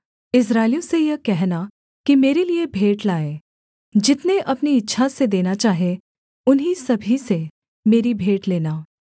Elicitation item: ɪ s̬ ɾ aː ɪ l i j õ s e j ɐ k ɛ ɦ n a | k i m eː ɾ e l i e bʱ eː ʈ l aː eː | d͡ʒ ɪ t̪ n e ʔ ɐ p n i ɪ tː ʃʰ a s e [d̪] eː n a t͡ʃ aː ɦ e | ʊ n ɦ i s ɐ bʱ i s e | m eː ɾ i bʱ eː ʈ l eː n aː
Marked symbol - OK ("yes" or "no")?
yes